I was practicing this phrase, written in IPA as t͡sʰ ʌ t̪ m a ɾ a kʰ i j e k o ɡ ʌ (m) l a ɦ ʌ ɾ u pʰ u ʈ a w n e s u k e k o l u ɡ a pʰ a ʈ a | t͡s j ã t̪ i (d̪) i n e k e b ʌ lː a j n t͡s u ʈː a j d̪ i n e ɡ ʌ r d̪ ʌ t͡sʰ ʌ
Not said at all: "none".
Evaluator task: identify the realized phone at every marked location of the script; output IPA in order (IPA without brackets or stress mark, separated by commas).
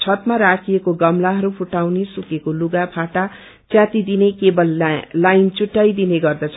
m, d̪